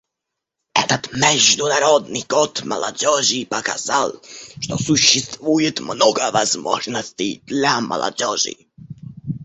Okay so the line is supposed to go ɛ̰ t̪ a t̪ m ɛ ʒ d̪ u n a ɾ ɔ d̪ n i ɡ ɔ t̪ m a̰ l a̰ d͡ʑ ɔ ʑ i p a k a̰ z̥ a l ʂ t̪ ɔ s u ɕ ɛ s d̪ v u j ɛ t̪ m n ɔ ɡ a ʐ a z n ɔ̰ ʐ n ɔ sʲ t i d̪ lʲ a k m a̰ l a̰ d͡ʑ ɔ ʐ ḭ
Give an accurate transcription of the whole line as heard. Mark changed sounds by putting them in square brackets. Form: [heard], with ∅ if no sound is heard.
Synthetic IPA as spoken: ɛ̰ t̪ a t̪ m ɛ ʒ d̪ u n a ɾ ɔ d̪ n i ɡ ɔ t̪ m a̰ l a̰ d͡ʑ ɔ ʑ i p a k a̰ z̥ a l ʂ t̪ ɔ s u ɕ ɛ s [t̪] v u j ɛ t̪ m n ɔ ɡ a [v] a z [m] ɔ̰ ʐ n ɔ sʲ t i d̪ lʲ a [∅] m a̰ l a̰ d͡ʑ ɔ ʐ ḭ